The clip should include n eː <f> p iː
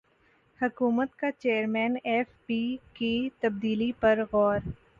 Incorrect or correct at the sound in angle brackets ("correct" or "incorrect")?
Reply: correct